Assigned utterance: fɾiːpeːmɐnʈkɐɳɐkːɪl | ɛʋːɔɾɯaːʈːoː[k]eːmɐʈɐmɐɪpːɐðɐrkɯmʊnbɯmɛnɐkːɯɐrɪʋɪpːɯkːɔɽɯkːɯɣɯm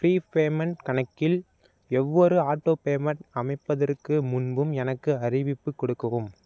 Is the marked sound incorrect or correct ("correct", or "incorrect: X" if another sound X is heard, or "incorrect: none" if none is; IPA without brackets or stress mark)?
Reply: incorrect: p